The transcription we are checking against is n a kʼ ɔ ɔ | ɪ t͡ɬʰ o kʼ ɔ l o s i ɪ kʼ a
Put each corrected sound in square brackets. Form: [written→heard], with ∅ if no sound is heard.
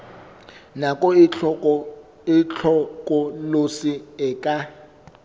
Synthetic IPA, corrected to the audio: n a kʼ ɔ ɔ | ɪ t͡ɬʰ [o→ɔ] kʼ ɔ l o s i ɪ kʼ a